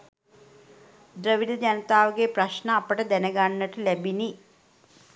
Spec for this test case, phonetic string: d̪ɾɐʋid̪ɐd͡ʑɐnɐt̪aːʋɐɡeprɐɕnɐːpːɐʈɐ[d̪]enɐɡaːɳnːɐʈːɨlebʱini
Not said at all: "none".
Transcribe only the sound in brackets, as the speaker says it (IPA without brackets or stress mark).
d̪